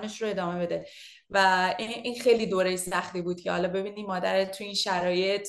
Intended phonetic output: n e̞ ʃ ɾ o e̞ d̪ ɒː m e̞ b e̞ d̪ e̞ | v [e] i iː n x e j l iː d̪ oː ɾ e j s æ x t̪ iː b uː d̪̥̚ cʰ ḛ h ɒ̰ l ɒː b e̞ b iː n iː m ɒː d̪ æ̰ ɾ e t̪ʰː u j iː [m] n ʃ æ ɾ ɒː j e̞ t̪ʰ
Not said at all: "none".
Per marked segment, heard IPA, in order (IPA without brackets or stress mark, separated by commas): æ, none